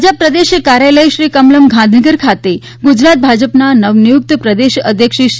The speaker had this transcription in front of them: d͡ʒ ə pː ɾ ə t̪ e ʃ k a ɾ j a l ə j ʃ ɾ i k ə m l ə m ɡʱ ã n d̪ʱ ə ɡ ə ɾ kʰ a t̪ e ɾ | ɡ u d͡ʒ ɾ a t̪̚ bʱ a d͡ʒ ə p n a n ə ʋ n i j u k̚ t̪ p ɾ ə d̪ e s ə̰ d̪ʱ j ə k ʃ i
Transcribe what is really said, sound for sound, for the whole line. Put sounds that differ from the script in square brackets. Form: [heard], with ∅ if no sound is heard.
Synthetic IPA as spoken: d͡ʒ ə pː ɾ ə [d̪] e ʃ k a ɾ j a l ə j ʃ ɾ i k ə m l ə m ɡʱ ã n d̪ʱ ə ɡ ə ɾ kʰ a t̪ e [∅] | ɡ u d͡ʒ ɾ a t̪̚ bʱ a d͡ʒ ə p n a n ə ʋ n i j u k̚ t̪ p ɾ ə d̪ e [ʃ] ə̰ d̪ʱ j ə k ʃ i